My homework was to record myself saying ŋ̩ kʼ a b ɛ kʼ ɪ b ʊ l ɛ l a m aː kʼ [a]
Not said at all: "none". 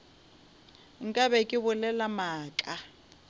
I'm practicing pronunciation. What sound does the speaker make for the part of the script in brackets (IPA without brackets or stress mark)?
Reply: a